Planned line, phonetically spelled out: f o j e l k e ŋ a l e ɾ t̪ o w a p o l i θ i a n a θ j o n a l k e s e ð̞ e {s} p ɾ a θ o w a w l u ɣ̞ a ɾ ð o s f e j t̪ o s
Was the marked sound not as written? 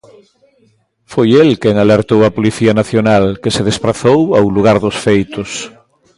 no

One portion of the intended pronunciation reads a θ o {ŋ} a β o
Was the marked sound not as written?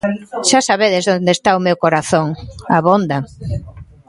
no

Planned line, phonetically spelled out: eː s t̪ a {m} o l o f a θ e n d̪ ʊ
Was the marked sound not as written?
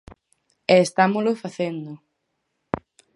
no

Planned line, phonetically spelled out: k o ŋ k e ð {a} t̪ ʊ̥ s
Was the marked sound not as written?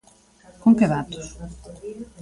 no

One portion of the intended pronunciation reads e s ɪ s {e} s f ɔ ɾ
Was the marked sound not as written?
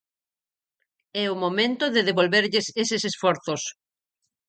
no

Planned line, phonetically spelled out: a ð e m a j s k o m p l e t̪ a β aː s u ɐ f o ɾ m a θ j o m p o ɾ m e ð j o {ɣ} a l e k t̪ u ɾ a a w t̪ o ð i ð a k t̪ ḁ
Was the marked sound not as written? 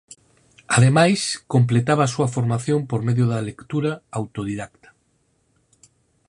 yes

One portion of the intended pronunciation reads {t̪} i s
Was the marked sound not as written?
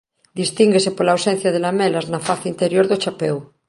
yes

